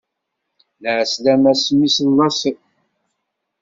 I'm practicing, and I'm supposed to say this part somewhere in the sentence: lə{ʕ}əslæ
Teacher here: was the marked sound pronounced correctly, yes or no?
yes